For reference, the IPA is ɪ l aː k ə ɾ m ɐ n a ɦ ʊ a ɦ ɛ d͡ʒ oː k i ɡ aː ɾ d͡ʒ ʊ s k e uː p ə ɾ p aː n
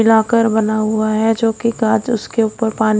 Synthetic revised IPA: ɪ l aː k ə ɾ b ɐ n a ɦ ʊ a ɦ ɛ d͡ʒ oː k i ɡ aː d͡ʒ ʊ s k e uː p ə ɾ p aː n